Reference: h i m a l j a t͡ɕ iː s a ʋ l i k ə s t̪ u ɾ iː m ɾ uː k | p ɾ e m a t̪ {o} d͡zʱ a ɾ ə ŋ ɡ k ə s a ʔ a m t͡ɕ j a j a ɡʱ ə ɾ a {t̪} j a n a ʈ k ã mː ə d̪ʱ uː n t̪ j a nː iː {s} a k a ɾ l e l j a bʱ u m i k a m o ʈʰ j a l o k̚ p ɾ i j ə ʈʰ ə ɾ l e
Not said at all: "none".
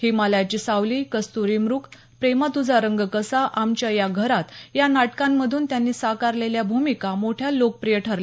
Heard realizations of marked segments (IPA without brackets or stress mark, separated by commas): u, t̪, s